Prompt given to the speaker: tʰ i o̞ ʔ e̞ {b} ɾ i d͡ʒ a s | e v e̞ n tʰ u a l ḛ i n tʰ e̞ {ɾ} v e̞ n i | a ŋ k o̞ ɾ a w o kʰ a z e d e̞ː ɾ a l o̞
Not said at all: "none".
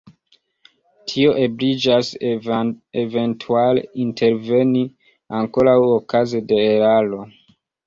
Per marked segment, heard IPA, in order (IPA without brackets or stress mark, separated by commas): b, ɾ